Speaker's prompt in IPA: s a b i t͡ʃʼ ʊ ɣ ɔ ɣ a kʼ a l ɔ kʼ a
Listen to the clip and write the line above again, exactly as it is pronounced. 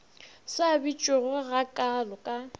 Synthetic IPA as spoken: s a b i t͡ʃʼ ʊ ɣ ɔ ɣ a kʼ a l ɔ kʼ a